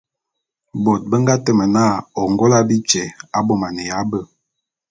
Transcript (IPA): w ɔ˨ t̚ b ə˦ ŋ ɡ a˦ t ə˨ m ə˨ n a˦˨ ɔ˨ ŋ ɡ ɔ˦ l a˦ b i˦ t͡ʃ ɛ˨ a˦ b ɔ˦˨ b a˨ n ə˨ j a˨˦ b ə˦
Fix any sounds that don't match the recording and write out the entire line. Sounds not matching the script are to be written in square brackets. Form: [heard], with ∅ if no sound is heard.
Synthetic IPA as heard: [b] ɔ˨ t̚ b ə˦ ŋ ɡ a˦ t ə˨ m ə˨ n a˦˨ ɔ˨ ŋ ɡ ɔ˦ l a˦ b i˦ t͡ʃ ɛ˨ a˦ b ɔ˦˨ [m] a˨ n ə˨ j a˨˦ b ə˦